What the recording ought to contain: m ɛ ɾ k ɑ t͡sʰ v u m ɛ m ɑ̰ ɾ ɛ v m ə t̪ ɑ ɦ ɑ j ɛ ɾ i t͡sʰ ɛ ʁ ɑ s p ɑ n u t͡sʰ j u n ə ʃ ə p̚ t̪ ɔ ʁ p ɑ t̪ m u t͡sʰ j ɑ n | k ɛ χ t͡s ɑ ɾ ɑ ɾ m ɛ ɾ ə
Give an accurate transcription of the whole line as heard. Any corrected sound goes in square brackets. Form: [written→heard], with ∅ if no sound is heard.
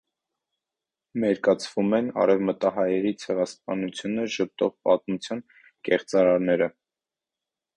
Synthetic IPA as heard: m ɛ ɾ k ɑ t͡sʰ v u m ɛ [m→n] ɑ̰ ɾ ɛ v m ə t̪ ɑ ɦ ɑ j ɛ ɾ i t͡sʰ ɛ ʁ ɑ s p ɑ n u t͡sʰ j u n ə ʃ ə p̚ t̪ ɔ ʁ p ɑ t̪ m u t͡sʰ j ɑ n | k ɛ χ t͡s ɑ ɾ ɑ ɾ [m→n] ɛ ɾ ə